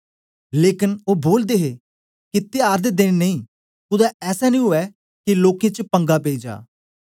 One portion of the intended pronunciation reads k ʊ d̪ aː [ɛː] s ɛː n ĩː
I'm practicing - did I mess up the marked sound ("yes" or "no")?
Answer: no